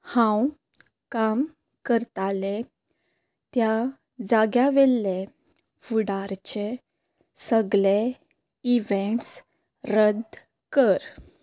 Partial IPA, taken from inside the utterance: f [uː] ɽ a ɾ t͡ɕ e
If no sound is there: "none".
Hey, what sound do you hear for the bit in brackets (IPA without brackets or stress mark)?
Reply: u